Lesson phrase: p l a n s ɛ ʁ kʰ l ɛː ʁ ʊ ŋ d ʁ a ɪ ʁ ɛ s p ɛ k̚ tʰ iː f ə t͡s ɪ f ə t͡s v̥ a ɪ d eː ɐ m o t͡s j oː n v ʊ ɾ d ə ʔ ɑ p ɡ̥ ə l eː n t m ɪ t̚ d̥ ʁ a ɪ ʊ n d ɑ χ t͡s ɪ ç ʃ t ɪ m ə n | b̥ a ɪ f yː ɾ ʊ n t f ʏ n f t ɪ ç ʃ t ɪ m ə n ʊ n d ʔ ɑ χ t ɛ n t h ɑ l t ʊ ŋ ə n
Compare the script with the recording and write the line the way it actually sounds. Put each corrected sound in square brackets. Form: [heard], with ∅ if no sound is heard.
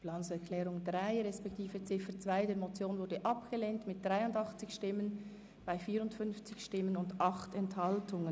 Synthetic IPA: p l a n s ɛ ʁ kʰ l ɛː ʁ ʊ ŋ d ʁ a ɪ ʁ ɛ s p ɛ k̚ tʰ iː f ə t͡s ɪ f ə t͡s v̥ a ɪ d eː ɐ m o t͡s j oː n v ʊ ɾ d ə ʔ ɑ p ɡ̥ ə l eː n t m ɪ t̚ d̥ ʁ a ɪ ʊ n d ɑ χ t͡s ɪ ç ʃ t ɪ m ə n | b̥ a ɪ f [iː] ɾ ʊ n t f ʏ n f [t͡s] ɪ ç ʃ t ɪ m ə n ʊ n d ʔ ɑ χ t ɛ n t h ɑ l t ʊ ŋ ə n

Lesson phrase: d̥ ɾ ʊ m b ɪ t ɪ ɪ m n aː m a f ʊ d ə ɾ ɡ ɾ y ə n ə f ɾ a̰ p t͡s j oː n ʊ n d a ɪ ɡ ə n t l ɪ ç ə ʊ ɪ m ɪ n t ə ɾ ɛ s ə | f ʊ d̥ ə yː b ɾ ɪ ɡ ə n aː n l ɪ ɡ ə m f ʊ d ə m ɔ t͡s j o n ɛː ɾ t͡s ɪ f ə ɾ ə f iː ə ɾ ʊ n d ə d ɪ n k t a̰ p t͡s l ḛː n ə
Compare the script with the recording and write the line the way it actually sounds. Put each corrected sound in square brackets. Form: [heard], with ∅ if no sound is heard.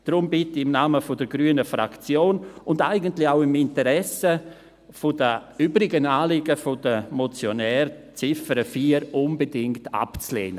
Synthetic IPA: d̥ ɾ ʊ m b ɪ t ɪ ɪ m n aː m [ə] f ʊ d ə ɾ ɡ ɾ y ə n ə f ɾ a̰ [k] t͡s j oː n ʊ n d a ɪ ɡ ə n t l ɪ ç [a] ʊ ɪ m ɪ n t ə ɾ ɛ s ə | f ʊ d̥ ə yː b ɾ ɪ ɡ ə n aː [∅] l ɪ ɡ ə [∅] f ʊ d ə m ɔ t͡s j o n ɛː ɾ t͡s ɪ f ə ɾ ə f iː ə ɾ ʊ n [b] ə d ɪ [ŋ] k t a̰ p t͡s l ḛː n ə

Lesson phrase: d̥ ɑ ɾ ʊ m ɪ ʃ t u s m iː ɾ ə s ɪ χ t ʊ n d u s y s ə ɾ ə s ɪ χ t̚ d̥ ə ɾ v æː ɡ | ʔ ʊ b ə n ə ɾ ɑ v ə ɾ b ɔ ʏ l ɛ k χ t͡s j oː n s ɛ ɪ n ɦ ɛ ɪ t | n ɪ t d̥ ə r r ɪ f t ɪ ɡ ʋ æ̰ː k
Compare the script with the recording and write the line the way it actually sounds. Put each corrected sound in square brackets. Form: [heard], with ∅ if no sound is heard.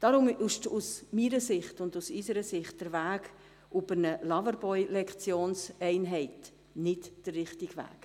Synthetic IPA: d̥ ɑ ɾ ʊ m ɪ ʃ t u s m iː ɾ ə s ɪ χ t ʊ n d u s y s ə ɾ ə s ɪ χ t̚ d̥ ə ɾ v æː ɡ | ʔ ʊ b ə n ə [l] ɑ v ə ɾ b ɔ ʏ l ɛ k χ t͡s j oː n s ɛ ɪ n ɦ ɛ ɪ t | n ɪ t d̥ ə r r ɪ [χ] t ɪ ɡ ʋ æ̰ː k

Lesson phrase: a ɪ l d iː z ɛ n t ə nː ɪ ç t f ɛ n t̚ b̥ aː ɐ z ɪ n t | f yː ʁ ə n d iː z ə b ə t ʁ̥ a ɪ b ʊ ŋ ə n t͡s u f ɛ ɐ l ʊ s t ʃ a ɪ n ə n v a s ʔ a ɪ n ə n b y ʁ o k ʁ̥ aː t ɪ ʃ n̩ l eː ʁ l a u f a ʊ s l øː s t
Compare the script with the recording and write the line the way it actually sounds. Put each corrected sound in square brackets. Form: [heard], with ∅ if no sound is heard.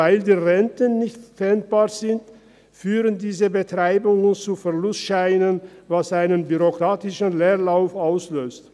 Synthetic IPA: a ɪ l d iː [ʁ] ɛ n t ə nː ɪ ç t f ɛ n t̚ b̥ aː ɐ z ɪ n t | f yː ʁ ə n d iː z ə b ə t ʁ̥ a ɪ b ʊ ŋ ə n t͡s u f ɛ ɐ l ʊ s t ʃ a ɪ n ə n v a s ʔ a ɪ n ə n b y ʁ o k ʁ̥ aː t ɪ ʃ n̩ l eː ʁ l a [ʊ] f a ʊ s l øː s t

